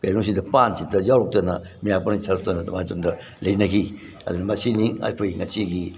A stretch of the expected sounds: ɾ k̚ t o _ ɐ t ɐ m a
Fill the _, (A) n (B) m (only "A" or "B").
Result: A